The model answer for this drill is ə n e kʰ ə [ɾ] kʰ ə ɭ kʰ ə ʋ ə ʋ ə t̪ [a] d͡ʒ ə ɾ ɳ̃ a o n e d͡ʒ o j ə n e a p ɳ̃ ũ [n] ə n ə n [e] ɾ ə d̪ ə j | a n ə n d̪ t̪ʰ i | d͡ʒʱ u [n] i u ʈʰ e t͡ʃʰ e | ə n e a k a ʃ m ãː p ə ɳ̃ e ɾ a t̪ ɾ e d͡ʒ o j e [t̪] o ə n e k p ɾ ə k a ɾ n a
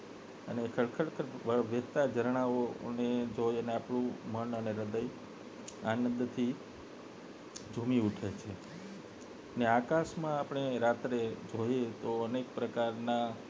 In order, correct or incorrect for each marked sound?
incorrect, correct, incorrect, correct, incorrect, correct

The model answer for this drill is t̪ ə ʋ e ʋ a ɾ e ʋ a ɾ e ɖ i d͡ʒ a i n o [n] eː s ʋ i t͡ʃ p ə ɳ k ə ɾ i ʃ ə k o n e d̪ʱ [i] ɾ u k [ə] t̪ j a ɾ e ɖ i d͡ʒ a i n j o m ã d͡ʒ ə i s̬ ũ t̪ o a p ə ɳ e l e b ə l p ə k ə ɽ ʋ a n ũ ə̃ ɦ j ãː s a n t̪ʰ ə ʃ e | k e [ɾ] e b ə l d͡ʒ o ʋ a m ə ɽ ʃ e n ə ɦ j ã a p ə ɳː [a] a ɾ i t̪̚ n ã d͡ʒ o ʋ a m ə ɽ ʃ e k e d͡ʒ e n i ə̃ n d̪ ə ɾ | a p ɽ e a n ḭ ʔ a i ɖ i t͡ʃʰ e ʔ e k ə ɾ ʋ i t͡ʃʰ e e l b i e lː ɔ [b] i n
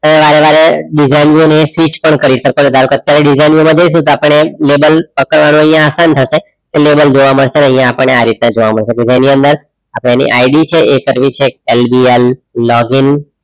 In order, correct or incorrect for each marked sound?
correct, incorrect, correct, incorrect, incorrect, incorrect

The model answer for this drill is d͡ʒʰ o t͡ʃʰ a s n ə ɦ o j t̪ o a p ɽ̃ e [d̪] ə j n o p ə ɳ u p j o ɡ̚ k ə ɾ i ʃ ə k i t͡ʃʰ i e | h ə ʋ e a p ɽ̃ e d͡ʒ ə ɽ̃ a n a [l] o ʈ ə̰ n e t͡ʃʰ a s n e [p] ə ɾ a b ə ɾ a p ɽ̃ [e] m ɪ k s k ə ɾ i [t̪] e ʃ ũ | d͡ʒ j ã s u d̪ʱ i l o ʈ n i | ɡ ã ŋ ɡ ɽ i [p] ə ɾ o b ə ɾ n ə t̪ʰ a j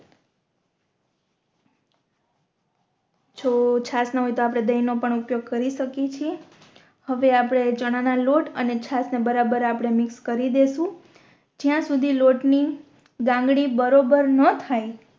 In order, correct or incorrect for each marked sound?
correct, correct, incorrect, correct, incorrect, incorrect

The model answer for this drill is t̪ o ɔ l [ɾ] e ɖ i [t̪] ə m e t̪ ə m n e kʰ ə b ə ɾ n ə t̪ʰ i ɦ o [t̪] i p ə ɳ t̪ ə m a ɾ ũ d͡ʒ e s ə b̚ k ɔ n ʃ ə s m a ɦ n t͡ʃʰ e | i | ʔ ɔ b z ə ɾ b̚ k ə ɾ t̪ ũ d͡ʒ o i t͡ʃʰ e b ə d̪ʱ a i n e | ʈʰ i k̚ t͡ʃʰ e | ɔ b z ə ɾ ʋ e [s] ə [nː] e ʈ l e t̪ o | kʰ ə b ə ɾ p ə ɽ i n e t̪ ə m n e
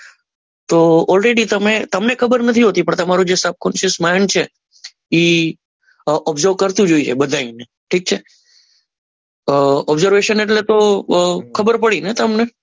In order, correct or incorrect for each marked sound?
correct, correct, correct, incorrect, incorrect

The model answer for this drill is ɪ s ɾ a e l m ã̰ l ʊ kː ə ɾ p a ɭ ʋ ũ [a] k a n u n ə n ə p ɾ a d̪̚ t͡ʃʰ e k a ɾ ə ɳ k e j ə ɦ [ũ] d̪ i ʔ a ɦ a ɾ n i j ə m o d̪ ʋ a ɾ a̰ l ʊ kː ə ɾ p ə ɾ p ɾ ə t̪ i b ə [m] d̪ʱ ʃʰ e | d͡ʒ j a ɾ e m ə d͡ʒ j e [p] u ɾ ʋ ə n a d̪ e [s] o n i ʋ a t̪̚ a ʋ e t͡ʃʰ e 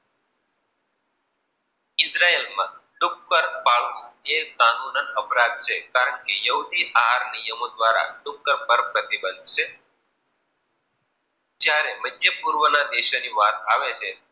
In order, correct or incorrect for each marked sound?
incorrect, incorrect, incorrect, correct, incorrect

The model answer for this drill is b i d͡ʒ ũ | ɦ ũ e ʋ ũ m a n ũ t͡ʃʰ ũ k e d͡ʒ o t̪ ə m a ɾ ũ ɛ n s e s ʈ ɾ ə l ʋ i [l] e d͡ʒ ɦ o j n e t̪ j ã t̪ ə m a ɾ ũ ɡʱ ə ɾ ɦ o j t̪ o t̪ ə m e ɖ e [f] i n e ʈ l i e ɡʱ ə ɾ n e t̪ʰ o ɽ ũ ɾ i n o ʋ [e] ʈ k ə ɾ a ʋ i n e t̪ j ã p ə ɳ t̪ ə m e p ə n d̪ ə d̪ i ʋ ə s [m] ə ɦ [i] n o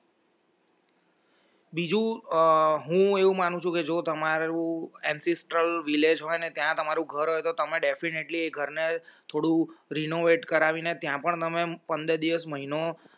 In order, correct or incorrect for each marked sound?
correct, correct, correct, correct, correct

